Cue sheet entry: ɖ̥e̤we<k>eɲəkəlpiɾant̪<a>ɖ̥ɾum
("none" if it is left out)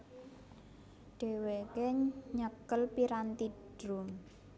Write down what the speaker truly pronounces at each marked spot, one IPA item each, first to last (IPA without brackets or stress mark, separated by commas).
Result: k, i